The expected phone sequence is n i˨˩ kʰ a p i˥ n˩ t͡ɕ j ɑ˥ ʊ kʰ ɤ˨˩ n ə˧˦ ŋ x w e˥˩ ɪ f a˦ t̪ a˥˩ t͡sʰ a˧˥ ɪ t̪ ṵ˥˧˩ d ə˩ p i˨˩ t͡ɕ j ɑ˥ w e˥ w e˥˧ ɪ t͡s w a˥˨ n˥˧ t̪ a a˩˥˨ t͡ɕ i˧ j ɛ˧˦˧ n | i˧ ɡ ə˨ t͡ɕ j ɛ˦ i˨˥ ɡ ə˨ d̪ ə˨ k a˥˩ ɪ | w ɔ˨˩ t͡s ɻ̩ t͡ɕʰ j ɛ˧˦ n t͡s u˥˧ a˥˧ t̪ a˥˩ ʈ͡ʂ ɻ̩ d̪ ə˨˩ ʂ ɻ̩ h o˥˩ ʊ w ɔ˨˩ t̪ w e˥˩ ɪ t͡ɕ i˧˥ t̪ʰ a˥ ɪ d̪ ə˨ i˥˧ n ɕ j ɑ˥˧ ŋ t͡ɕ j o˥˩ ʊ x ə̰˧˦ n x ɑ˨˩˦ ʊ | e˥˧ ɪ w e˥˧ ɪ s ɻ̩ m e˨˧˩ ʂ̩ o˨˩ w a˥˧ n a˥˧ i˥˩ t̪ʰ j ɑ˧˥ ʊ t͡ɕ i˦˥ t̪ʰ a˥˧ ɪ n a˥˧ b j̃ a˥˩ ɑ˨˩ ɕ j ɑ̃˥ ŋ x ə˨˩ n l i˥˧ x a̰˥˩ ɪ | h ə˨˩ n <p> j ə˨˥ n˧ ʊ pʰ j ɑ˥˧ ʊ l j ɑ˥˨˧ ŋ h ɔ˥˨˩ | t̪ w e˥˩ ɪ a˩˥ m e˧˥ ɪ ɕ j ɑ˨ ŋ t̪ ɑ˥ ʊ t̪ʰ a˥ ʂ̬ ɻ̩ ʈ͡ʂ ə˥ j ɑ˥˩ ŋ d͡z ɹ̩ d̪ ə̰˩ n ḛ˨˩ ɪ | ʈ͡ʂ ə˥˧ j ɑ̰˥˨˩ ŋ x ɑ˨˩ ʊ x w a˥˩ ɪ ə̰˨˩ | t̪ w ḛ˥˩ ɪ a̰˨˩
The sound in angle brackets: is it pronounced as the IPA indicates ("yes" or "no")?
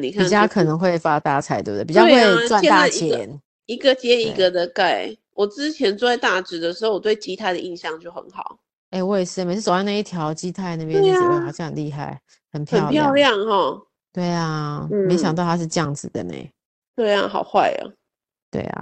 no